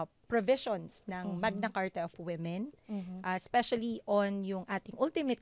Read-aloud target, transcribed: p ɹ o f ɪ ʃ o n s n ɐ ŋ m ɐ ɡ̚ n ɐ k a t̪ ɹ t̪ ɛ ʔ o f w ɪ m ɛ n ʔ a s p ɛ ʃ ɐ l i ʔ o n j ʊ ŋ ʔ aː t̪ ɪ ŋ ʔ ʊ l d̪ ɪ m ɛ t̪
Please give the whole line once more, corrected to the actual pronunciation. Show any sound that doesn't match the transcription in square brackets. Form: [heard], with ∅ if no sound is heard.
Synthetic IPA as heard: p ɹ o [v] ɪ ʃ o n s n ɐ ŋ m ɐ ɡ̚ n ɐ k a [∅] ɹ t̪ ɛ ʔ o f w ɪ m ɛ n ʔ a s p ɛ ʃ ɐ l i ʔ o n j ʊ ŋ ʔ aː t̪ ɪ ŋ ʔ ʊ l [t̪] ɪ m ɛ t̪